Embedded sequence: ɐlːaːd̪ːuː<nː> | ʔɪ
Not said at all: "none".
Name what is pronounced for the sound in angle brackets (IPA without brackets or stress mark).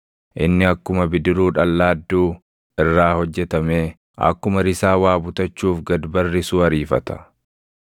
none